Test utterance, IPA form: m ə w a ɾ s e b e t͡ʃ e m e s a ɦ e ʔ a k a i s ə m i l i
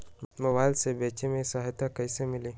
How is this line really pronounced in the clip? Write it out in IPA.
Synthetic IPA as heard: m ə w a l s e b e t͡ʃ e m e s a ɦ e t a k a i s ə m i l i